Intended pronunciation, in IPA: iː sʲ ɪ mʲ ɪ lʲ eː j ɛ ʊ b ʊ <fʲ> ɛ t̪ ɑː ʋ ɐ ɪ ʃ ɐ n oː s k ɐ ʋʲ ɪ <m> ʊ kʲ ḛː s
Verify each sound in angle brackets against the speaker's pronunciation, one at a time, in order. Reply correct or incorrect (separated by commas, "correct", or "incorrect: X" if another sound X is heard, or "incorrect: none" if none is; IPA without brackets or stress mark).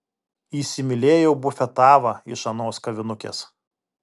correct, incorrect: n